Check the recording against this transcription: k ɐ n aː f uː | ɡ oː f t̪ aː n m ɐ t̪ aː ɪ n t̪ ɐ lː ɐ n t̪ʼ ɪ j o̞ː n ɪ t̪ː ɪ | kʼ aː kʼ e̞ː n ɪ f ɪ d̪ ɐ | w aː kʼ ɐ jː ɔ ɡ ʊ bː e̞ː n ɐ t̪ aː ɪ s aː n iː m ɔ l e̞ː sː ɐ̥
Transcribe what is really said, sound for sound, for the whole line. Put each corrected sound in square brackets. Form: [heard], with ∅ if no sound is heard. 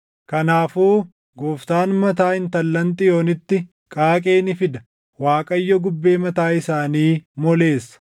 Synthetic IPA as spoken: k ɐ n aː f uː | ɡ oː f t̪ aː n m ɐ t̪ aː ɪ n t̪ ɐ lː ɐ n t̪ʼ ɪ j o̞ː n ɪ t̪ː ɪ | kʼ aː kʼ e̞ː n ɪ f ɪ d̪ ɐ | w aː kʼ ɐ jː ɔ ɡ ʊ bː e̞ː [m] ɐ t̪ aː ɪ s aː n iː m ɔ l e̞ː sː ɐ̥